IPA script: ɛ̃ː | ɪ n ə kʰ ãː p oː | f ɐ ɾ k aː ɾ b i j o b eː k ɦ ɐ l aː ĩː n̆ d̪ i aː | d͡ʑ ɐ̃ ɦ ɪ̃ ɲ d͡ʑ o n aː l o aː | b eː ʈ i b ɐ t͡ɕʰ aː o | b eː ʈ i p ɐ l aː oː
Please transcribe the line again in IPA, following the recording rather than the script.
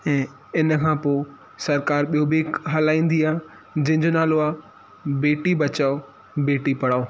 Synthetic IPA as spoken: ɛ̃ː | ɪ n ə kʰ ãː p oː | s ɐ ɾ k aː ɾ ɓ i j o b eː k ɦ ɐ l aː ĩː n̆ d̪ i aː | d͡ʑ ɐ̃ ɦ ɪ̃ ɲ d͡ʑ o n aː l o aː | b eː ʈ i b ɐ t͡ɕ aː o | b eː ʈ i p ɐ ɽ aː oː